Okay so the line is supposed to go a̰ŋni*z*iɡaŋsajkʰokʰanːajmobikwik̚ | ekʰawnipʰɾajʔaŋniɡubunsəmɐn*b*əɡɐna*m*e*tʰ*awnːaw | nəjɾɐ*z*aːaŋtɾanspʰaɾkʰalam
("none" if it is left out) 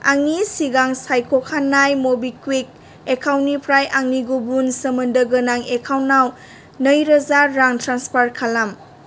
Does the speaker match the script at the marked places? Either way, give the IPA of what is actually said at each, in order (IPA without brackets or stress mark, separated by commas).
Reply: s, d, ŋ, kʰ, z